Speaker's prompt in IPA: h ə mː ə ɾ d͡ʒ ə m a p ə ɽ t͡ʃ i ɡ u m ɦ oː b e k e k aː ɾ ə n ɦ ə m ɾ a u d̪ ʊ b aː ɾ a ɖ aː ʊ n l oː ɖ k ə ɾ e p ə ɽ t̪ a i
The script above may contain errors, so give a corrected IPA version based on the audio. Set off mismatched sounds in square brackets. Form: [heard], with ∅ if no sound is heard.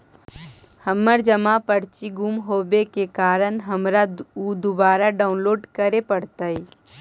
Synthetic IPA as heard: h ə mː ə ɾ d͡ʒ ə m a p ə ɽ t͡ʃ i ɡ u m ɦ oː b e k e k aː ɾ ə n ɦ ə m ɾ a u d̪ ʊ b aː ɾ a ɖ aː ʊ n l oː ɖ k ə ɾ e p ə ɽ t̪ a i